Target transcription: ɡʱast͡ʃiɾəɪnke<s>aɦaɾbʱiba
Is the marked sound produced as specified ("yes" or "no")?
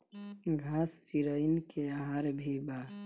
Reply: no